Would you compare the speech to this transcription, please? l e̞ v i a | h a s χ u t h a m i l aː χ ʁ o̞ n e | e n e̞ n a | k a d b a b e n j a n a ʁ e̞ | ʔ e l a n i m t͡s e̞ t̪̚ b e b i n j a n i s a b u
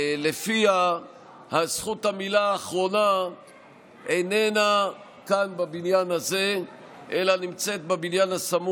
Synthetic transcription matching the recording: l e̞ f i a | h a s χ u t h a m i l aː χ ʁ o̞ n a | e n e̞ n a | k a n b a b i n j a n a z e̞ | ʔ e l a n i m t͡s e̞ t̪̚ b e b i n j a n a s a m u